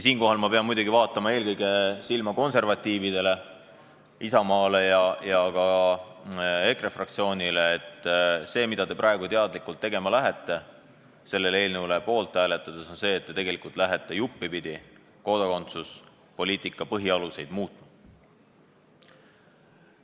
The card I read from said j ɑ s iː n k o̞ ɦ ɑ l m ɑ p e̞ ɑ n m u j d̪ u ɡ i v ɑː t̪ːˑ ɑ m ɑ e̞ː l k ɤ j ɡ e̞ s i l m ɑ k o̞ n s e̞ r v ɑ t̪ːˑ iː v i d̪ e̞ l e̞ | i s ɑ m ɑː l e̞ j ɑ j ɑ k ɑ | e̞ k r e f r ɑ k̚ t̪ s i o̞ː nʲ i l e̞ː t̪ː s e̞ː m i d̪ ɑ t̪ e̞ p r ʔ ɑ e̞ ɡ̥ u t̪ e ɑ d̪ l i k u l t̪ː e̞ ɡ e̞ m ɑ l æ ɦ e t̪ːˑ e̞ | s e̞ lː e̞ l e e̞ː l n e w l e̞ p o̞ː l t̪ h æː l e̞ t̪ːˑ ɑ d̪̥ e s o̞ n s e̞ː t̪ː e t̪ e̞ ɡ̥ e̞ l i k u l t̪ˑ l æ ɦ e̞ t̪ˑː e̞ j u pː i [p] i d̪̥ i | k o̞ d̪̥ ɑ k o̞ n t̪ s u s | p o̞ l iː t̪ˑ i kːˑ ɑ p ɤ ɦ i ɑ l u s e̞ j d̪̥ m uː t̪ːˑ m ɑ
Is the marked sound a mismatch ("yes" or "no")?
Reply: no